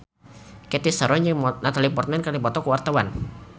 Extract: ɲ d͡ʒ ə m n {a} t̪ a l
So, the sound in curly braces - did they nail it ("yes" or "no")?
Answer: yes